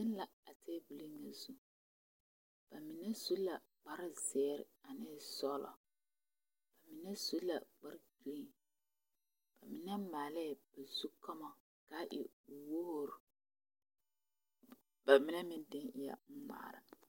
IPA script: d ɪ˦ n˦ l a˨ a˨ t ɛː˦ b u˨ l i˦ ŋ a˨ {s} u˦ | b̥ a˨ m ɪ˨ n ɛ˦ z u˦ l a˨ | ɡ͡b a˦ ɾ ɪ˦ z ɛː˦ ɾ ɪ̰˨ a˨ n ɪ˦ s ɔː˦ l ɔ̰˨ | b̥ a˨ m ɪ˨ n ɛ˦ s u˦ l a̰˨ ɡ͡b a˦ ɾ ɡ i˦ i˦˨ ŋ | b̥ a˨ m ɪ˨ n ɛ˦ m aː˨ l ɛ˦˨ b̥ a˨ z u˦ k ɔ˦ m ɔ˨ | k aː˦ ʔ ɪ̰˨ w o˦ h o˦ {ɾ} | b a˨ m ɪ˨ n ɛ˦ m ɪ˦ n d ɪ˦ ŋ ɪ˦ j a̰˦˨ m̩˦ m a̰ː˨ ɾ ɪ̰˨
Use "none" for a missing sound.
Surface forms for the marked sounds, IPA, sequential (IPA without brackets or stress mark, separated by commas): z, ɾ